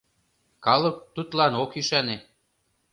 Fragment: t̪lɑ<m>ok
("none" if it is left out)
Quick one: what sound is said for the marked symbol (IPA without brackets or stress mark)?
n